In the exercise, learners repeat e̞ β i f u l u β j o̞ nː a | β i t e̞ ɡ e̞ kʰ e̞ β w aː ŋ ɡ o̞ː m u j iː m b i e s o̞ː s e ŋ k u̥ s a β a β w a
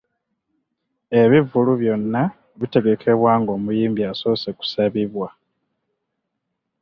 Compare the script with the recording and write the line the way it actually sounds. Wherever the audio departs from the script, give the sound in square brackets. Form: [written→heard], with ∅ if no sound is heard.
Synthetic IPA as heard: e̞ β i [f→v] u l u β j o̞ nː a | β i t e̞ ɡ e̞ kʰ e̞ β w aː ŋ ɡ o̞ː m u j iː m b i [e→a] s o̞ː s e [ŋ→∅] k u̥ s a β [a→i] β w a